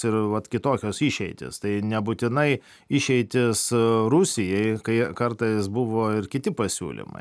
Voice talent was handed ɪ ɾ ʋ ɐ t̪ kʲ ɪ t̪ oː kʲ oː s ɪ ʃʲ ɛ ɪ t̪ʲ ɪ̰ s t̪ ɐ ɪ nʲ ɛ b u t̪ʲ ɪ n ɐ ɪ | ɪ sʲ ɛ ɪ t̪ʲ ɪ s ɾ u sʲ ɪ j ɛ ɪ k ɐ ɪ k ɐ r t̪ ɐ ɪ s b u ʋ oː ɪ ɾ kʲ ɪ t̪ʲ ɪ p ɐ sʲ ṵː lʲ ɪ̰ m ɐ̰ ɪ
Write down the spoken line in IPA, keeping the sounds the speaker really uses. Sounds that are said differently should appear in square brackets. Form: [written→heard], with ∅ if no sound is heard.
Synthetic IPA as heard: ɪ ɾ ʋ ɐ t̪ kʲ ɪ t̪ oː kʲ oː s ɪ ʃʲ ɛ ɪ t̪ʲ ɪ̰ s t̪ ɐ ɪ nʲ ɛ b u t̪ʲ ɪ n ɐ ɪ | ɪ [sʲ→ʃʲ] ɛ ɪ t̪ʲ ɪ s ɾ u sʲ ɪ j ɛ ɪ k ɐ ɪ k ɐ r t̪ ɐ ɪ s b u ʋ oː ɪ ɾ kʲ ɪ t̪ʲ ɪ p ɐ sʲ ṵː lʲ ɪ̰ m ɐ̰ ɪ